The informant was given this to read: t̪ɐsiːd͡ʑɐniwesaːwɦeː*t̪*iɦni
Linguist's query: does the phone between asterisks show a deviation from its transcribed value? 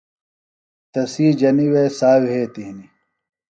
no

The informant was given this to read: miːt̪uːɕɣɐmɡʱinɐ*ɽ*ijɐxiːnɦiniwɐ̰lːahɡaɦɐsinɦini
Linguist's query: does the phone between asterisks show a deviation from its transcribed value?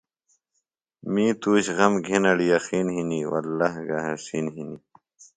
no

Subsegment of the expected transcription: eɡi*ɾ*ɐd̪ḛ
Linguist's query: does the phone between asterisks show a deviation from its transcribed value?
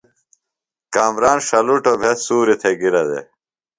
no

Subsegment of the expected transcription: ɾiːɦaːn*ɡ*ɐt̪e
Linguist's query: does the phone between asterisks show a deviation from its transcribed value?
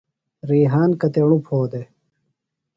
yes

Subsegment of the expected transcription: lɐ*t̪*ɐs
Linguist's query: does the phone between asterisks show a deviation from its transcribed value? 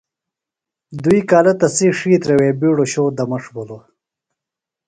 no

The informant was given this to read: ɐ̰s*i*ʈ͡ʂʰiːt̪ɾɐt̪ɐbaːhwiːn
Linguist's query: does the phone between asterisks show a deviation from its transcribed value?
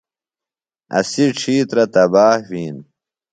no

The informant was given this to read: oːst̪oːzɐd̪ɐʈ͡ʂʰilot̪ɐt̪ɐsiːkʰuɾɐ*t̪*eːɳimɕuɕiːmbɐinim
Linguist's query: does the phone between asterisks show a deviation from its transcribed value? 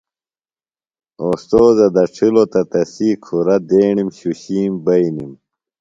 yes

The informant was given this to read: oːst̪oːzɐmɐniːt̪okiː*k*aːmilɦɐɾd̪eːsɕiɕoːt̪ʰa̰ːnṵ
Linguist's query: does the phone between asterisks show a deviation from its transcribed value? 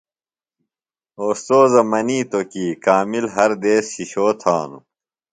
no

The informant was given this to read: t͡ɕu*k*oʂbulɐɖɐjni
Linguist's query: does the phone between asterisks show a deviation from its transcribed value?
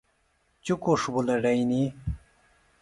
no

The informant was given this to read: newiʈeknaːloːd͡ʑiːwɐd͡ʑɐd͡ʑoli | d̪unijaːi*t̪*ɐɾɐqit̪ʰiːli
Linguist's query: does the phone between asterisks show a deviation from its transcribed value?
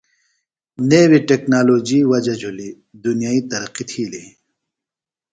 no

